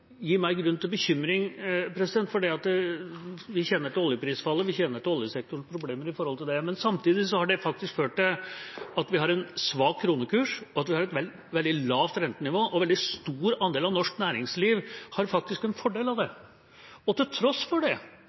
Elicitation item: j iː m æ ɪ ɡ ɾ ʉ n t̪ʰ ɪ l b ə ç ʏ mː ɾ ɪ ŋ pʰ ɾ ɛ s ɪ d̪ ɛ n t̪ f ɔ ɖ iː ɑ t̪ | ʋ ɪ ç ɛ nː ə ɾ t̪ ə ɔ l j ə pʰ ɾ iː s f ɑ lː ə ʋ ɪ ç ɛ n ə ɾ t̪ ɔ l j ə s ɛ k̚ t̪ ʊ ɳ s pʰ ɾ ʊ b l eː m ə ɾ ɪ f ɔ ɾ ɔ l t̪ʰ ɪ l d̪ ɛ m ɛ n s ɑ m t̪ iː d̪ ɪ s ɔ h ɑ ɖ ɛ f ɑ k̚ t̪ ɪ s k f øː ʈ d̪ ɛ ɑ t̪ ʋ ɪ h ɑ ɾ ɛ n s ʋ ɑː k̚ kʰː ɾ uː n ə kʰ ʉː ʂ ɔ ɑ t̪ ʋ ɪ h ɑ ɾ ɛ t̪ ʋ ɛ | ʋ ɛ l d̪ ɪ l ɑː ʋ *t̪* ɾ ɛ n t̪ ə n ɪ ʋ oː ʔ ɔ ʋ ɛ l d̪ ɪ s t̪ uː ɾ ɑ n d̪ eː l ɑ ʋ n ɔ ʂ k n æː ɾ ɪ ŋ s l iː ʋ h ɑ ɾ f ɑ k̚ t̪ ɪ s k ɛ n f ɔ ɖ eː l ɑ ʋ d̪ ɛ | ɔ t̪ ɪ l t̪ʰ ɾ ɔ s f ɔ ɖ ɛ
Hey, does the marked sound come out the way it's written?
yes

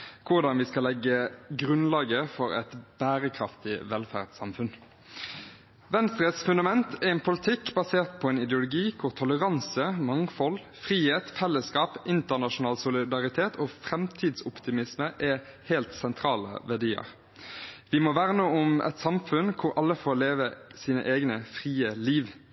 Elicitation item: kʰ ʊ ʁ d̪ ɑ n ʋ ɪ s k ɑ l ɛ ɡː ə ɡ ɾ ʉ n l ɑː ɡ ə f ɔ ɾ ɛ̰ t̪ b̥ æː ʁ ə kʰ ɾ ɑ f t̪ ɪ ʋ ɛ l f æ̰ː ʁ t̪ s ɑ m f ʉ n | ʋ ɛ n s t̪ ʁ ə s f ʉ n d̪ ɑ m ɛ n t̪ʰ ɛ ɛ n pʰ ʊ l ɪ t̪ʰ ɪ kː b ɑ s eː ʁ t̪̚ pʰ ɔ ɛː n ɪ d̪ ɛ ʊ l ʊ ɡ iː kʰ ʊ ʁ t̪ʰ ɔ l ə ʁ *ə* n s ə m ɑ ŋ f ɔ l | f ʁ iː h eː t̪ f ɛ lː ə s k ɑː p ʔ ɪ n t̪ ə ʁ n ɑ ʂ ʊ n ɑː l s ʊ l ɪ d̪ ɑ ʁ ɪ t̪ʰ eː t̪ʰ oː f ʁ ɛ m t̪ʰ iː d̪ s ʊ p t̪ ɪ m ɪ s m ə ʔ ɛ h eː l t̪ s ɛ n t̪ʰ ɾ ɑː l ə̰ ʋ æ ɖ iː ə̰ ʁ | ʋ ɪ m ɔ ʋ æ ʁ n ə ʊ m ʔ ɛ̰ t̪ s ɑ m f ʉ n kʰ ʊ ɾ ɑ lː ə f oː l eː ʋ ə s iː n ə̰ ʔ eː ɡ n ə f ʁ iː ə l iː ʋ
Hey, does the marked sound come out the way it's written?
no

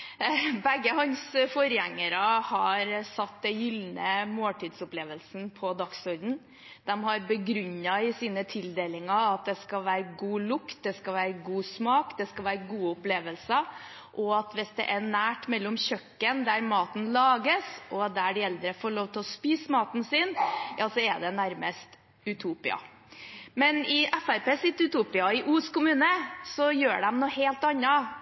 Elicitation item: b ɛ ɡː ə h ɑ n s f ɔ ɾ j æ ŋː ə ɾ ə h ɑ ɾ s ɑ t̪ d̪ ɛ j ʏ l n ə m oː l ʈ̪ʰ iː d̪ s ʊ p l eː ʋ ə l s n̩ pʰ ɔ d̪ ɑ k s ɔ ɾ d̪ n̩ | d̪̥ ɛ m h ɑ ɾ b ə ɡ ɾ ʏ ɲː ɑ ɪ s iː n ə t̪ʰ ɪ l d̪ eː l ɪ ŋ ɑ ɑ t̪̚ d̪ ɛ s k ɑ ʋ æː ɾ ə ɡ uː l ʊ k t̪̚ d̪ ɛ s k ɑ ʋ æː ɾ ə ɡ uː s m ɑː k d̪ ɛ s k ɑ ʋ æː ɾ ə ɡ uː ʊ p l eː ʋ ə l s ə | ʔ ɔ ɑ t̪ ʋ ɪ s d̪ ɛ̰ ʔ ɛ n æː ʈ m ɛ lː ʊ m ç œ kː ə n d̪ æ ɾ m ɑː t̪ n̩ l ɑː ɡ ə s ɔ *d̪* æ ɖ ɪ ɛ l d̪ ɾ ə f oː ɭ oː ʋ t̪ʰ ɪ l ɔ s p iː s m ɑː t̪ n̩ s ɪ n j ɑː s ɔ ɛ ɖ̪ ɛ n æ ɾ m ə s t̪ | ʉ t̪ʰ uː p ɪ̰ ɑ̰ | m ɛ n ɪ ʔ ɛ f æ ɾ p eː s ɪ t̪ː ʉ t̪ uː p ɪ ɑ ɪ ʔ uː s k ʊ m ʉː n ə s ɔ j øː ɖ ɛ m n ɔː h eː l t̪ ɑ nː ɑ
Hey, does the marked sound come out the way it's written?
yes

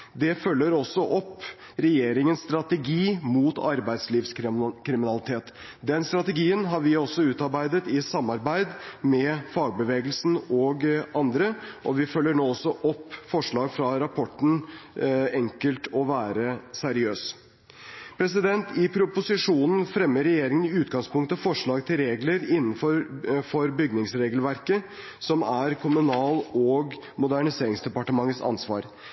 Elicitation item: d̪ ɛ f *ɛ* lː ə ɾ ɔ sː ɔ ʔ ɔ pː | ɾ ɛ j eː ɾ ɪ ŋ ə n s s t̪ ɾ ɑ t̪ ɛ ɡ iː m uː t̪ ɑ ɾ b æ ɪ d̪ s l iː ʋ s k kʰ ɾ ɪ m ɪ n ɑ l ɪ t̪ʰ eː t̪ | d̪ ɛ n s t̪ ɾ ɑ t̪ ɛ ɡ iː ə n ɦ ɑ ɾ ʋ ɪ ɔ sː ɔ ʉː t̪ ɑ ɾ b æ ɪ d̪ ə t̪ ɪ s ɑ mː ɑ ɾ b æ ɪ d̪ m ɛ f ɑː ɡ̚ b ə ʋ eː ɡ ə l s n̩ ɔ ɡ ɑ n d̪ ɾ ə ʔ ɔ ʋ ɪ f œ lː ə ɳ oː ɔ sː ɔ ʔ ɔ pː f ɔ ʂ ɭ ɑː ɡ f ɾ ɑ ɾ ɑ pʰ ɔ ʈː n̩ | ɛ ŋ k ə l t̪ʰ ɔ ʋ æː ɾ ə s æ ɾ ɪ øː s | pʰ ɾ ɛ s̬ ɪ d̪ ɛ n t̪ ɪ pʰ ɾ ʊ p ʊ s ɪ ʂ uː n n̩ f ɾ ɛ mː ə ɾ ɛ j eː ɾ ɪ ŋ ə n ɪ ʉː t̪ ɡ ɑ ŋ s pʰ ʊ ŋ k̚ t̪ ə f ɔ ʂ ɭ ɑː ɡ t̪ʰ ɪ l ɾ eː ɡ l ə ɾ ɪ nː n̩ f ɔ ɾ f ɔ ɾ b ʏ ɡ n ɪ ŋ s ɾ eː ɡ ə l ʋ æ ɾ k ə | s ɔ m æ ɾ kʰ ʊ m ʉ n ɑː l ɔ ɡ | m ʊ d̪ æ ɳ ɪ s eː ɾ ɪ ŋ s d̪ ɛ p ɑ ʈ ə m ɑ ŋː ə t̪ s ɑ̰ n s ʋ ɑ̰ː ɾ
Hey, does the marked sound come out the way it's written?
no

